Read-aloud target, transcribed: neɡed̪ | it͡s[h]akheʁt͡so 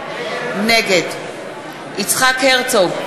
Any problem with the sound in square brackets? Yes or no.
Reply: yes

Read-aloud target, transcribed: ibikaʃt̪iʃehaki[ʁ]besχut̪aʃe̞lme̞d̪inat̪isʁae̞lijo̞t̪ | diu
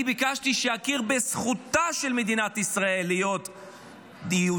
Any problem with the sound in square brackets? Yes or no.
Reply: no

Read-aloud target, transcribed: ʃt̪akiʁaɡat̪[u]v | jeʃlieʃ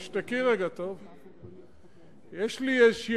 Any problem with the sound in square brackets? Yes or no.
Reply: yes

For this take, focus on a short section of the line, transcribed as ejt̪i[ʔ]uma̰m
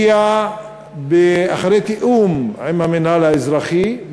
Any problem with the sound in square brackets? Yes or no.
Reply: no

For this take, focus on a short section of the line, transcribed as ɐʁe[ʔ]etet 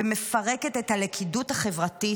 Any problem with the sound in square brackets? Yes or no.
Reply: yes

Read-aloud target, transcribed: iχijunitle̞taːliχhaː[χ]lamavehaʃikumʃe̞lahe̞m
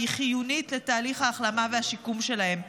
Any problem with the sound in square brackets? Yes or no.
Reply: no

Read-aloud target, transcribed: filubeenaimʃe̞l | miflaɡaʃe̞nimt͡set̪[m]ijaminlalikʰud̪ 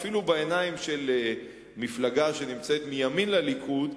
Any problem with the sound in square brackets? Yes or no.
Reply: no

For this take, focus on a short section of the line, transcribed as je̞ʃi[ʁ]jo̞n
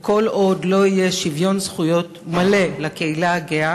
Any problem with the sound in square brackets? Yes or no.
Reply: yes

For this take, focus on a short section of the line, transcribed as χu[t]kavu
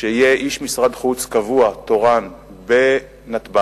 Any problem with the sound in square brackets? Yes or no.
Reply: yes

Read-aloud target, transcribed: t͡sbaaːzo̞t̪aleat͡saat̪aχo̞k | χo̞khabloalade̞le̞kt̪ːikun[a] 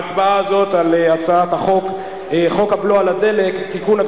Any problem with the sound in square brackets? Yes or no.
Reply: no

